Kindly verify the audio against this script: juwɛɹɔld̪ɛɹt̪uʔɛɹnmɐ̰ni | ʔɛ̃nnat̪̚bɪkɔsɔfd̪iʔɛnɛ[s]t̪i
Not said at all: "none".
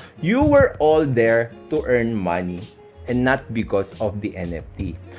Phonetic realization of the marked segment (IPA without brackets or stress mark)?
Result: f